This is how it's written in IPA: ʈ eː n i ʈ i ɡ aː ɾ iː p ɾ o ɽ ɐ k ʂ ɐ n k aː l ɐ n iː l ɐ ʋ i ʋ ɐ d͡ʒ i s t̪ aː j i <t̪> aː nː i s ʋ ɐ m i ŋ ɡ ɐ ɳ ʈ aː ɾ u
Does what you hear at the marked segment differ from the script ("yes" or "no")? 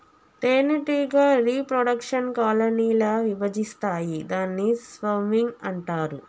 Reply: yes